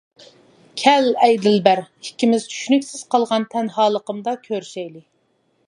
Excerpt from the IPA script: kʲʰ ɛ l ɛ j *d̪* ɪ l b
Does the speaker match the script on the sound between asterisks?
yes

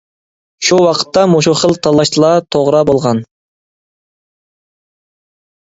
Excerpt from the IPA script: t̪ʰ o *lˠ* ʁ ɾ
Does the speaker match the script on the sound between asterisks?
no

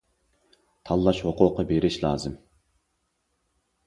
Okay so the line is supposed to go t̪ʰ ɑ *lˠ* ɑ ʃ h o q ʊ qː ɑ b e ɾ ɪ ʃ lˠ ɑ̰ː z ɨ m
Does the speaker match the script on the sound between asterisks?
no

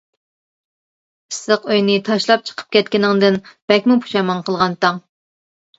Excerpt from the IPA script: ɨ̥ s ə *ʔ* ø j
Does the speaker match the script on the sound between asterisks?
no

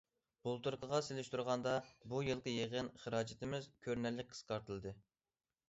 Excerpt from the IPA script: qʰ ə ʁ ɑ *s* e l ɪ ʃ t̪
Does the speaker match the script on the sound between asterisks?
yes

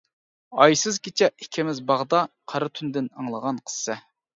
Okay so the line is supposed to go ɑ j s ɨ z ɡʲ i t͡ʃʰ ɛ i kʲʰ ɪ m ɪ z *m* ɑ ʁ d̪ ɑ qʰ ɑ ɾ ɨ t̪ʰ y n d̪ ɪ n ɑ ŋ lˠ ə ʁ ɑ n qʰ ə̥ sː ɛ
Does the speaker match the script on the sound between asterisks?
no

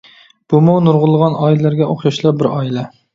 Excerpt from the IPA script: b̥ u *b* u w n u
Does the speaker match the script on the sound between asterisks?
no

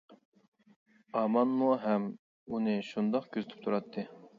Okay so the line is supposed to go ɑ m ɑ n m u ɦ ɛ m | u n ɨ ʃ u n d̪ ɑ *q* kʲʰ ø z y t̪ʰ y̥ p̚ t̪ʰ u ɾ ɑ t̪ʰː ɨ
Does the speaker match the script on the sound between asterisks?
yes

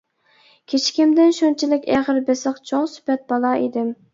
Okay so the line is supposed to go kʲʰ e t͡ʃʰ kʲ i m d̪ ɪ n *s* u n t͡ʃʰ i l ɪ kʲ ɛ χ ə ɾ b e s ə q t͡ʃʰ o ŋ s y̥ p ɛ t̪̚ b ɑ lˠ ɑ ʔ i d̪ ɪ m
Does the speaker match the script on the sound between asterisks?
no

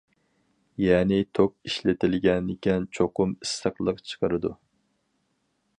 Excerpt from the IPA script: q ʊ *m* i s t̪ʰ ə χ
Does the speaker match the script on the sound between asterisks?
yes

